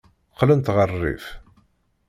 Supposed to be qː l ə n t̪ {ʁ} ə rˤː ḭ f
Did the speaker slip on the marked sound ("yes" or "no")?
no